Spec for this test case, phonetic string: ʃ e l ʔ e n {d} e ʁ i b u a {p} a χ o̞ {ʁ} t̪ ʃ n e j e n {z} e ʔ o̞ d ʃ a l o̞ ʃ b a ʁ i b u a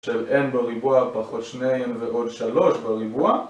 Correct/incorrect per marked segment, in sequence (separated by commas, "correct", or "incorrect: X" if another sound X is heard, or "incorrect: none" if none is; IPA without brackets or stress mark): incorrect: b, correct, incorrect: none, incorrect: v